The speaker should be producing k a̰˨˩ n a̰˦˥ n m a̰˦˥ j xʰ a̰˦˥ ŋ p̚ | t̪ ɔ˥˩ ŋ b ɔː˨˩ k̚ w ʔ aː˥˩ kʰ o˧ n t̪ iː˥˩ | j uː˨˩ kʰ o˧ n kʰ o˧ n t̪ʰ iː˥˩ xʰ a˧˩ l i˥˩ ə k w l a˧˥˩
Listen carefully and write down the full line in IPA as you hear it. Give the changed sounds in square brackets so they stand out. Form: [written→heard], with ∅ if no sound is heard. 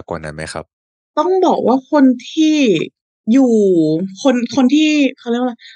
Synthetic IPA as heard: k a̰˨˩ n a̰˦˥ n m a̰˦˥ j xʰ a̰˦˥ [ŋ→∅] p̚ | t̪ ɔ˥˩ ŋ b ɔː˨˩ k̚ w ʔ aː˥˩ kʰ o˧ n [t̪→t̪ʰ] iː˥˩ | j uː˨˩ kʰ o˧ n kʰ o˧ n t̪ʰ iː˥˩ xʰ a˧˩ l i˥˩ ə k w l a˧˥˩